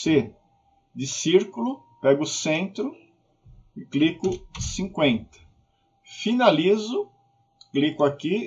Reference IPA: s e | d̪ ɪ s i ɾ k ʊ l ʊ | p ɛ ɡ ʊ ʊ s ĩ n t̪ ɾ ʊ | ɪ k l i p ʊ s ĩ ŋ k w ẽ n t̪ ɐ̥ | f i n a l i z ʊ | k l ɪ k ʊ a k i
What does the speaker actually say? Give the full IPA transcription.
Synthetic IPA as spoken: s e | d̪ ɪ s i ɾ k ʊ l ʊ | p ɛ ɡ ʊ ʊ s ẽ n t̪ ɾ ʊ | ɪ k l i k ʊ s ĩ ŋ k w ẽ n t̪ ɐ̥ | f i n a l i z ʊ | k l i k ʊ a k i